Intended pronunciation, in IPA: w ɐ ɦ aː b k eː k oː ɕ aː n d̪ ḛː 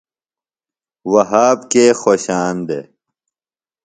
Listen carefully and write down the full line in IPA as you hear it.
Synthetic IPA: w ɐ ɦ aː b k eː x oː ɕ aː n d̪ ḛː